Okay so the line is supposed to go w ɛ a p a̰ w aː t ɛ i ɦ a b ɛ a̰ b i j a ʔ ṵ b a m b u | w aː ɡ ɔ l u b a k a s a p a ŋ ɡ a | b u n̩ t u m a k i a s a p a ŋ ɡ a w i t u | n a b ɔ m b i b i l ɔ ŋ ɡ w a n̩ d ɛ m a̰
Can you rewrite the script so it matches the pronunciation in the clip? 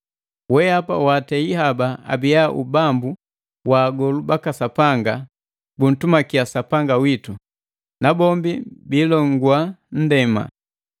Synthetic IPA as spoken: w ɛ a p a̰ w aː t ɛ i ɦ a b a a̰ b i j a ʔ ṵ b a m b u | w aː ɡ ɔ l u b a k a s a p a ŋ ɡ a | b u n̩ t u m a k i a s a p a ŋ ɡ a w i t u | n a b ɔ m b i b i l ɔ ŋ ɡ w a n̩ d ɛ m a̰